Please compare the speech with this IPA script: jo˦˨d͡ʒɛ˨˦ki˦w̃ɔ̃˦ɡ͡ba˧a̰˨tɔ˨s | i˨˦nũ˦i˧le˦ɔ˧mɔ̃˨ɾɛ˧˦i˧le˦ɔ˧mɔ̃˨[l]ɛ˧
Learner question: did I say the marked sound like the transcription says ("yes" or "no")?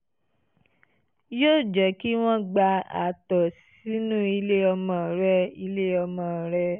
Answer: no